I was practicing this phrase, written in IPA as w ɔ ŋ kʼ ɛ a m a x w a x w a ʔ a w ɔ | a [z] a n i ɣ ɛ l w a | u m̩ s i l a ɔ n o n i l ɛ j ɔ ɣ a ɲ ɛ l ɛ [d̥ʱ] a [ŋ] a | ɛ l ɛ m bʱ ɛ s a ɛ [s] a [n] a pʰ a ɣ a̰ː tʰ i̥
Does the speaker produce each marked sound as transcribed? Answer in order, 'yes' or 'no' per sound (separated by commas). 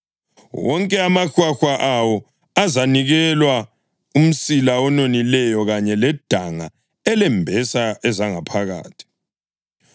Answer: yes, yes, yes, no, no